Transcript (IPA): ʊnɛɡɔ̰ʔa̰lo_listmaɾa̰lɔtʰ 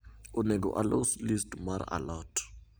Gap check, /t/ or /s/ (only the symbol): s